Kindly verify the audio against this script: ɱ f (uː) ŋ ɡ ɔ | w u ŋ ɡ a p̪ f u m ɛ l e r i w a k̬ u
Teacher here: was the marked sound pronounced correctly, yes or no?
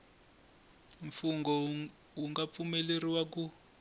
no